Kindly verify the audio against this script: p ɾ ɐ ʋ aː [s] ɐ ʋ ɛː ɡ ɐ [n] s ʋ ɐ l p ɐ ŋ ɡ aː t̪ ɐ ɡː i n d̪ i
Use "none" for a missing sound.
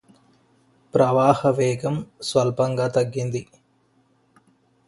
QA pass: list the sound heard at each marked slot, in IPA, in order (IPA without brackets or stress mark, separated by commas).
h, m